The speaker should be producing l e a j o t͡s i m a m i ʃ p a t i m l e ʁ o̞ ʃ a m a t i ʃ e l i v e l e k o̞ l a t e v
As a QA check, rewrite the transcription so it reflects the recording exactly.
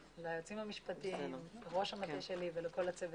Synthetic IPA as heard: l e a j o t͡s i m a m i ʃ p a t i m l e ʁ o̞ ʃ a m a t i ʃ e l i v e l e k o̞ l a t͡s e v